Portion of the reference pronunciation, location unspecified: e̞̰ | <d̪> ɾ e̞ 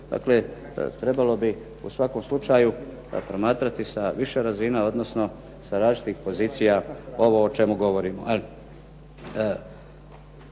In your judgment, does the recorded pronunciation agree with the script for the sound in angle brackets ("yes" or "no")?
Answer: no